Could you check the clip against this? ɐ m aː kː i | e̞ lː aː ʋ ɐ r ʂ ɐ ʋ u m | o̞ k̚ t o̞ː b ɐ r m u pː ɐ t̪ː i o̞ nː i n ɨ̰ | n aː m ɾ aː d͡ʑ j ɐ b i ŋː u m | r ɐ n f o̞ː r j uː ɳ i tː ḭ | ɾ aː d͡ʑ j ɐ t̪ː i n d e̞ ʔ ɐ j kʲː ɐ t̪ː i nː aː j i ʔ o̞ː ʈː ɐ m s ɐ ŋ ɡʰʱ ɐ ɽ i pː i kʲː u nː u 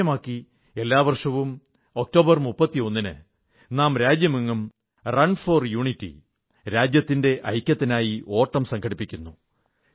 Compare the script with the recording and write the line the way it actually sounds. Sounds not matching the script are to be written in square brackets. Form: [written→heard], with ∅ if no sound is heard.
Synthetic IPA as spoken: ɐ m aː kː i | e̞ lː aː ʋ ɐ r ʂ ɐ ʋ u m | o̞ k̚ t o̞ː b ɐ r m u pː ɐ t̪ː i o̞ nː i n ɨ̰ | n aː m ɾ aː d͡ʑ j ɐ [b→m] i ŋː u m | r ɐ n f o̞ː r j uː ɳ i tː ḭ | ɾ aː d͡ʑ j ɐ t̪ː i n d e̞ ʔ ɐ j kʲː ɐ t̪ː i [nː→n] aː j i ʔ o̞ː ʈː ɐ m s ɐ ŋ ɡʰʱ ɐ ɽ i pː i kʲː u nː u